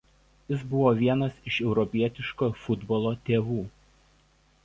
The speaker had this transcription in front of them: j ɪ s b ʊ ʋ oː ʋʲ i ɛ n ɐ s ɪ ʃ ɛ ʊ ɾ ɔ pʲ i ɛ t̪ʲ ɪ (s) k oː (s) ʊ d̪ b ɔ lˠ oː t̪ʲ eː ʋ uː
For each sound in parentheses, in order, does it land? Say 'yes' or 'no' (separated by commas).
no, no